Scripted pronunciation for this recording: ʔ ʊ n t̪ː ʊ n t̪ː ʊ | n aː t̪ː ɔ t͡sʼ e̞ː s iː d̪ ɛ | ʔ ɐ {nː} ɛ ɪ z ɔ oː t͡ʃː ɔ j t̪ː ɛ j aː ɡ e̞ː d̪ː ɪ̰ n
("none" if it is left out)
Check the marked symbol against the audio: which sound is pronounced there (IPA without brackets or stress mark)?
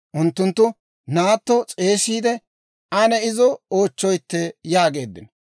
n